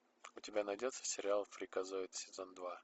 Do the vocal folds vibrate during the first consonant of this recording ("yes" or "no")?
no